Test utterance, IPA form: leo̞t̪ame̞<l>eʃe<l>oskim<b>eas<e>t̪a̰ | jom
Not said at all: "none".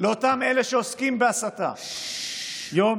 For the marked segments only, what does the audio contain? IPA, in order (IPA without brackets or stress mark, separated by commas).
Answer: l, none, b, a